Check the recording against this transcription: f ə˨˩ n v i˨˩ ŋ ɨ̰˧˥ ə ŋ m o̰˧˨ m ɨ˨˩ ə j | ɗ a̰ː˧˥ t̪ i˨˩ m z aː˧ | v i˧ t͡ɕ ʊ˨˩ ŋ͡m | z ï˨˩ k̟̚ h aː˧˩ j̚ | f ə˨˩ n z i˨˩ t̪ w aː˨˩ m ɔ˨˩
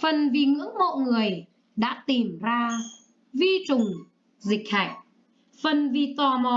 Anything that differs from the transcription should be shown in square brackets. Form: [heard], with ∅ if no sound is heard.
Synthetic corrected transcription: f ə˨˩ n v i˨˩ ŋ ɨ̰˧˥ ə ŋ m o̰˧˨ [ŋ] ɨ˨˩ ə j | ɗ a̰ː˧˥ t̪ i˨˩ m z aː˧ | v i˧ t͡ɕ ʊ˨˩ ŋ͡m | z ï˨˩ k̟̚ h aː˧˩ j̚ | f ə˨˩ n [v] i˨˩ t̪ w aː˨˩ m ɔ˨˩